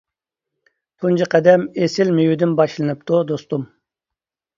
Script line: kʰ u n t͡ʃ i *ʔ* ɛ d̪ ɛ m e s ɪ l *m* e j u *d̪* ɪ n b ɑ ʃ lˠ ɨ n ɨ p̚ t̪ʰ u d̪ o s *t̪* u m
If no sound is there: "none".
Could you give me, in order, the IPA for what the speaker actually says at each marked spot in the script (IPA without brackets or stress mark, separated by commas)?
q, m, d̪, t̪